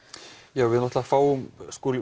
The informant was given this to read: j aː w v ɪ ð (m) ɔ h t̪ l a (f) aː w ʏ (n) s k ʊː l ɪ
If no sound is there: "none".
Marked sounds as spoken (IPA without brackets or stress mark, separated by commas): n, f, m